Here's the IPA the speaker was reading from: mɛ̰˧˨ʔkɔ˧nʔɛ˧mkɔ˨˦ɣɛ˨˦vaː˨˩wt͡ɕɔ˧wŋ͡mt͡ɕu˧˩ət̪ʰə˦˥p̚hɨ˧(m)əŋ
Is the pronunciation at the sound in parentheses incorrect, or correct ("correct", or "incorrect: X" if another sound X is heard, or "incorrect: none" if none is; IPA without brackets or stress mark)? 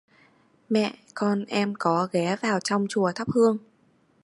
incorrect: none